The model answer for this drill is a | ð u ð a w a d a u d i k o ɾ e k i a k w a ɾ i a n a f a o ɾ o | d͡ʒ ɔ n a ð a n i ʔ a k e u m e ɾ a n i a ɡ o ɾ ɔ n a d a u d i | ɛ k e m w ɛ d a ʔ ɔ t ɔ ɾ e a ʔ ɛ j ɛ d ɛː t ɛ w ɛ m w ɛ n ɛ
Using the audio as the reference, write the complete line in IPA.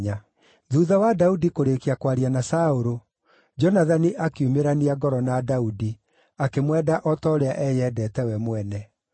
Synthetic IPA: a | ð u ð a w a d a u d i k o ɾ e k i a k w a ɾ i a n a s a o ɾ o | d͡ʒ ɔ n a ð a n i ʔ a k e u m e ɾ a n i a ɡ ɔ ɾ ɔ n a d a u d i | a k e m w ɛ d a ʔ ɔ t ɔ ɾ e a ʔ ɛ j ɛ d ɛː t ɛ w ɛ m w ɛ n ɛ

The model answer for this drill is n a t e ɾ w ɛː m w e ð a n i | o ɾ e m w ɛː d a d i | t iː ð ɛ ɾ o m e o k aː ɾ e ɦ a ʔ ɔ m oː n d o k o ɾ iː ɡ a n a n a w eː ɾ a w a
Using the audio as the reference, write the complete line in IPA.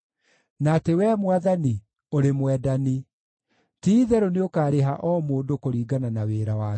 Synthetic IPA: n a t e w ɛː m w a ð a n i | o ɾ e m w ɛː d a n i | t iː ð ɛ ɾ o n e o k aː ɾ e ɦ a ʔ ɔ m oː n d o k o ɾ iː ɡ a n a n a w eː ɾ a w a

